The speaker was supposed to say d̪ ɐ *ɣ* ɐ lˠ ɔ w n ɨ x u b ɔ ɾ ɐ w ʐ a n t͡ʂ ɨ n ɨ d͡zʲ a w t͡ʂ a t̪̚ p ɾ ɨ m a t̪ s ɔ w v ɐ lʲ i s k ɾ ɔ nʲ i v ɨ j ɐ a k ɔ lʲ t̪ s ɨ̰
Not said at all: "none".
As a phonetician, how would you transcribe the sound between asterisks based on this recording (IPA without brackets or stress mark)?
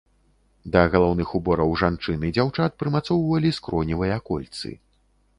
ɣ